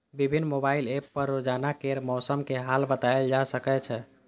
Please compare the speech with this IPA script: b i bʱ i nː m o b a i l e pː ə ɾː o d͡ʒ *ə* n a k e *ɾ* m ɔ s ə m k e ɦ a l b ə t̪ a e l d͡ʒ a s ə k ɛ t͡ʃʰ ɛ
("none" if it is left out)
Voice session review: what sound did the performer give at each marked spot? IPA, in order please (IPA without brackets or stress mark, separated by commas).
a, ɾ